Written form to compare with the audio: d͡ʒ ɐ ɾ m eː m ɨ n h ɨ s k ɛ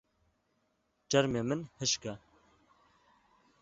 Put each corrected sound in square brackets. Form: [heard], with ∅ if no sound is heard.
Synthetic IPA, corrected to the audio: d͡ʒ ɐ ɾ m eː m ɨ n h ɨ [ʃ] k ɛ